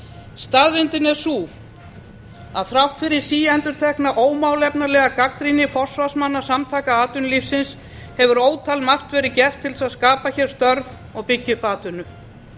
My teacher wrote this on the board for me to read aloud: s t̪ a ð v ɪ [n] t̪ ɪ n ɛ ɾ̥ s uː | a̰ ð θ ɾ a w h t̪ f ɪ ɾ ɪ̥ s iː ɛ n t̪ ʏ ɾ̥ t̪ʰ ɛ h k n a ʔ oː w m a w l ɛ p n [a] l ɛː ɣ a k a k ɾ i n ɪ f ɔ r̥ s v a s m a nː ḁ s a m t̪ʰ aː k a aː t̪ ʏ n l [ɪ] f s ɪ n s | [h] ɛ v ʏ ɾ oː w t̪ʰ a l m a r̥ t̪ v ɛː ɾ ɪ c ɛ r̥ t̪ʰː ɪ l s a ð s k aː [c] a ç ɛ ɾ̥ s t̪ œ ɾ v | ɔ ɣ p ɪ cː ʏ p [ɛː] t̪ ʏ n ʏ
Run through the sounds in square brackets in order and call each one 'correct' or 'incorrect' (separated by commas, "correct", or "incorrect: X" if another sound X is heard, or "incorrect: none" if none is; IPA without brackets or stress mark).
correct, correct, incorrect: i, correct, incorrect: p, incorrect: aː